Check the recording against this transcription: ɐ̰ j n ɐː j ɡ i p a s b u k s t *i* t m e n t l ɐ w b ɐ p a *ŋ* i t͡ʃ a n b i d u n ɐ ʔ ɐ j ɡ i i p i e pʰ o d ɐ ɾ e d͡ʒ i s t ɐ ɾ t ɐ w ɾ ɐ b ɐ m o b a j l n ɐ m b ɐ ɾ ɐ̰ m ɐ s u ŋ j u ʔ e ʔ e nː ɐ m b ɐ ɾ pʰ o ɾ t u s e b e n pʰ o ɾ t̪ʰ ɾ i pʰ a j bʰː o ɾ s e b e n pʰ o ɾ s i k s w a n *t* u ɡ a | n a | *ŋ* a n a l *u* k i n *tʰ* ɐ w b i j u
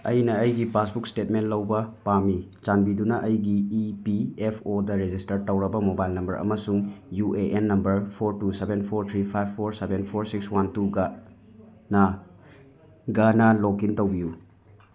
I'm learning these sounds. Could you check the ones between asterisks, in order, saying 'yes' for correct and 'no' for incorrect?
no, no, yes, no, no, no

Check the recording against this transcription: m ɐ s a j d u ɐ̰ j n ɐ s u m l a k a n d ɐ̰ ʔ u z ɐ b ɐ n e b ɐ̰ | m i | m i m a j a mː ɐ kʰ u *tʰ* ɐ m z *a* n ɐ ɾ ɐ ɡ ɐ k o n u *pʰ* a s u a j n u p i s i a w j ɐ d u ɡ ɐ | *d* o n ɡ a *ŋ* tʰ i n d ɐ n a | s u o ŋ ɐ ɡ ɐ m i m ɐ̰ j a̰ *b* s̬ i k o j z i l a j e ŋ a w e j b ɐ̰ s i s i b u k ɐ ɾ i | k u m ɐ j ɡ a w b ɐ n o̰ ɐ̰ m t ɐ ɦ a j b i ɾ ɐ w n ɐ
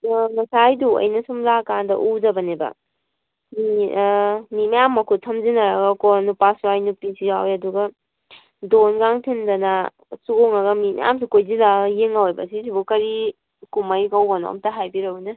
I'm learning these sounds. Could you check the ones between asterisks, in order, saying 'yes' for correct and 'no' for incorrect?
yes, no, no, yes, yes, no

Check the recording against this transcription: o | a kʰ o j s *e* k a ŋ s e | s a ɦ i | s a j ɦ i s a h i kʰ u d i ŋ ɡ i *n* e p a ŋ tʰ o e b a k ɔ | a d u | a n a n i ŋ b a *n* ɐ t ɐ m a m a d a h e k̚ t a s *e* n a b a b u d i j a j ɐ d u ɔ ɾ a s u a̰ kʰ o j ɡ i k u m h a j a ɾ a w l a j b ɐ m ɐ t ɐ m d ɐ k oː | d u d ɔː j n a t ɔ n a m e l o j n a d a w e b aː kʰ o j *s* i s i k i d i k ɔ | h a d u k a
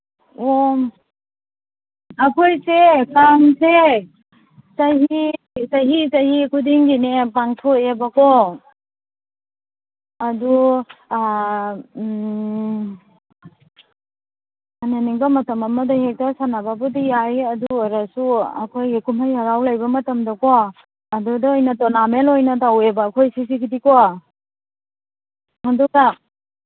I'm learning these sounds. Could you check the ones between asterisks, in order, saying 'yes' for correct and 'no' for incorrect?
yes, yes, no, no, yes

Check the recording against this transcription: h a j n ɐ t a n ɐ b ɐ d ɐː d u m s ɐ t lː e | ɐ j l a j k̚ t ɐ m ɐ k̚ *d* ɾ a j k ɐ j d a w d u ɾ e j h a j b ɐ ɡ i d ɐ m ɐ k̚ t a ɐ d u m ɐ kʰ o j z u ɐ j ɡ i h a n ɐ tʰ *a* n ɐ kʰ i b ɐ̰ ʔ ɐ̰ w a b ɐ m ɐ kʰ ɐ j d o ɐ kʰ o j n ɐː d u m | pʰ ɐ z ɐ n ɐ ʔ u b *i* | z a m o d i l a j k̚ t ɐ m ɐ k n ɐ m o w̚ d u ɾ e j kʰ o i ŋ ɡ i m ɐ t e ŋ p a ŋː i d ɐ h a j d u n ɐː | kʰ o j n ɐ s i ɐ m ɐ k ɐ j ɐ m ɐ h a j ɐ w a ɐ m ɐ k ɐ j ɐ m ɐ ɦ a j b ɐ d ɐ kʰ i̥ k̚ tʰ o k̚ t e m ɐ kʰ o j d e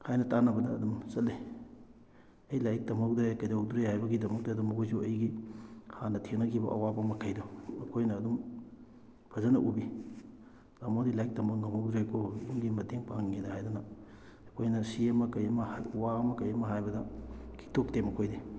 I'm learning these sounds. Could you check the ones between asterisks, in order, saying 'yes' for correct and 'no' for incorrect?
yes, no, yes

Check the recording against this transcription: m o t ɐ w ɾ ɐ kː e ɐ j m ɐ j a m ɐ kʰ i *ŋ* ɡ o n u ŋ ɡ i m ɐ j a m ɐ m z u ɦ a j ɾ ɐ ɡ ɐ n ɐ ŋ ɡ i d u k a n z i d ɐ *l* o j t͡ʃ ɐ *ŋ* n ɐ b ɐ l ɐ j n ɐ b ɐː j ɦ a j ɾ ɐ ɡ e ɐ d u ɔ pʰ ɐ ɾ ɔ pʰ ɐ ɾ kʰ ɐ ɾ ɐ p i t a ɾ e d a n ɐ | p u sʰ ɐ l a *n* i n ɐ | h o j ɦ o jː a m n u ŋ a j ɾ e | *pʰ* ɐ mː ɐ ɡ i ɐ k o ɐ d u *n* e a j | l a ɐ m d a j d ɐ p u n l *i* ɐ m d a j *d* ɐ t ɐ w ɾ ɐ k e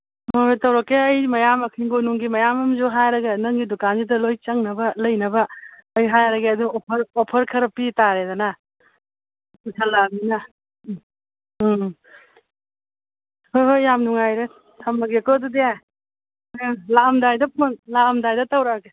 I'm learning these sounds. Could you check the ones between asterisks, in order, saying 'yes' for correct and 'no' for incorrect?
yes, yes, yes, no, no, no, no, yes

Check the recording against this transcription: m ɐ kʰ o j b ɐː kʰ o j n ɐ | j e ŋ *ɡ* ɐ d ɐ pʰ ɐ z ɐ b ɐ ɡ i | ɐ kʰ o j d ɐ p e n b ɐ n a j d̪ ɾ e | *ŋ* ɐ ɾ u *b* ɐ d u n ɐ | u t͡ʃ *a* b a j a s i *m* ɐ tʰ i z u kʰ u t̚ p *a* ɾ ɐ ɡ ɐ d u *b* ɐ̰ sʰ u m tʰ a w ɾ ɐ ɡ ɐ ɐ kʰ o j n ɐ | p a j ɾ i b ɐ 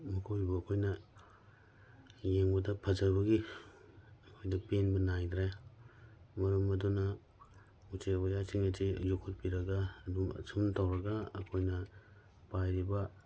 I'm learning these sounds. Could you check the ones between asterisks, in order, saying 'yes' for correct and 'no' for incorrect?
no, no, no, no, no, no, no

